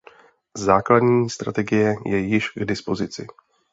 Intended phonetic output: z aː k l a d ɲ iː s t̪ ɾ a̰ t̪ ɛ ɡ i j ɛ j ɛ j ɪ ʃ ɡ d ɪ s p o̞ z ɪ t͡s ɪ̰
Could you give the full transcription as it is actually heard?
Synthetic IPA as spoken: z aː k l a d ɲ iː s t̪ ɾ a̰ t̪ ɛ ɡ ɪ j ɛ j ɛ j ɪ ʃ ɡ d ɪ s p o̞ z ɪ t͡s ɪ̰